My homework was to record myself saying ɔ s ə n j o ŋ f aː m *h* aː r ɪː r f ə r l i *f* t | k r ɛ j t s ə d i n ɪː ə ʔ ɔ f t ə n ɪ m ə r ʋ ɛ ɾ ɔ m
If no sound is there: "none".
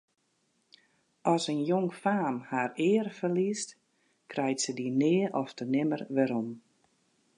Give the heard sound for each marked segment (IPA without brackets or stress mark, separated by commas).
h, s